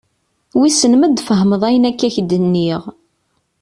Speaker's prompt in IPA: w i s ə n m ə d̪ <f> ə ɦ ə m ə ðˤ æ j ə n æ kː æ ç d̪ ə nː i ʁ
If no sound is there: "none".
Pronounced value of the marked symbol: f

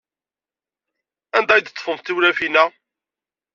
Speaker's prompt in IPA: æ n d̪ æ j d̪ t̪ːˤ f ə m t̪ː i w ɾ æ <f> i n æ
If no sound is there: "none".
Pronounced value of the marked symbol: f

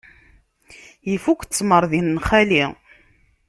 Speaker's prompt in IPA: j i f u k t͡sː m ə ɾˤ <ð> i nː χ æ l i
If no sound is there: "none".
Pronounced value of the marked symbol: ð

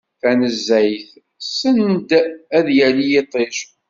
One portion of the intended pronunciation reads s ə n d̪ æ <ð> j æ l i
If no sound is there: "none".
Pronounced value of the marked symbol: ð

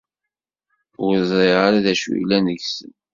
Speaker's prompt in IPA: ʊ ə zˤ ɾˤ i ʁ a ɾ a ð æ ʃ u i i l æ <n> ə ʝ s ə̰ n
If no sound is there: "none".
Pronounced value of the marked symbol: n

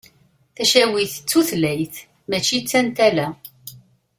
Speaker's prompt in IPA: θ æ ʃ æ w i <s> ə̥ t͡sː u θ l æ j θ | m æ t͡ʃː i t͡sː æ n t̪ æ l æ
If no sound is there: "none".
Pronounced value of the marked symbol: θ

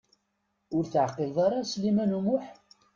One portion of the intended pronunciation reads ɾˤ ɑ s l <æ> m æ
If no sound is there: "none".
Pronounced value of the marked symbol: i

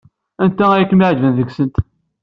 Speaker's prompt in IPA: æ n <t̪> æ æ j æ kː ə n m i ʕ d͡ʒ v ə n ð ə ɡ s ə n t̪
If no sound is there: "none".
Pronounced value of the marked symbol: t̪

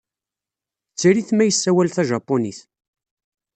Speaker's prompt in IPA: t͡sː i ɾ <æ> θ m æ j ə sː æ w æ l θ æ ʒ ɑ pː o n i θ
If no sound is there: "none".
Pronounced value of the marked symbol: i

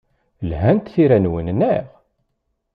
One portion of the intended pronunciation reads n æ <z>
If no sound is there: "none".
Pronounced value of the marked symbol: ʁ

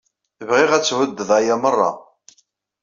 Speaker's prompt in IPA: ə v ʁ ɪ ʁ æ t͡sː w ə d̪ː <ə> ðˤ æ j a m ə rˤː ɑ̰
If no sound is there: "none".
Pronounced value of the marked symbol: ə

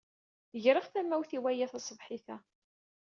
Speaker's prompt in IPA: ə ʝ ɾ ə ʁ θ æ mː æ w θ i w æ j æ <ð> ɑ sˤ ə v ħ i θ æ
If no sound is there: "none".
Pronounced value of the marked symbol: θ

